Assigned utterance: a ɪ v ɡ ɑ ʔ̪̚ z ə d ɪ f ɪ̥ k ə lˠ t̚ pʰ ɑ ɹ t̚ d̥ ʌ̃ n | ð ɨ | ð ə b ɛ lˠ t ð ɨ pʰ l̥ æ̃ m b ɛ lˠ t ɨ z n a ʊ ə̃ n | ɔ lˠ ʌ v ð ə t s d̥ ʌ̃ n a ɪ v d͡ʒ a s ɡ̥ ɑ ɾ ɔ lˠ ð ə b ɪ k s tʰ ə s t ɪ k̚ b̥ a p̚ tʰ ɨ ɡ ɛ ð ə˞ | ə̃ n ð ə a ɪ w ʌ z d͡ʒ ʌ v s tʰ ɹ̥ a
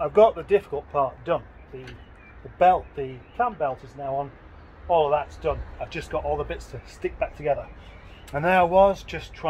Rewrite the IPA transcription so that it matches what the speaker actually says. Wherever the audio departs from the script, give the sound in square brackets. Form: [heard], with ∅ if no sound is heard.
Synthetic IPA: a ɪ v ɡ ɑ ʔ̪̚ [ð] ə d ɪ f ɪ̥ k ə lˠ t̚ pʰ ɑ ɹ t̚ d̥ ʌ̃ n | ð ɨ | ð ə b ɛ lˠ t ð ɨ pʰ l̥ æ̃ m b ɛ lˠ t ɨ z n a ʊ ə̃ n | ɔ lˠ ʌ v ð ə t s d̥ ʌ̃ n a ɪ v d͡ʒ [ʌ] s ɡ̥ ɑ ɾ ɔ lˠ ð ə b ɪ [t] s tʰ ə s t ɪ k̚ b̥ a [k̚] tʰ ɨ ɡ ɛ ð ə˞ | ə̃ n ð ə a ɪ w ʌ z d͡ʒ ʌ [∅] s tʰ ɹ̥ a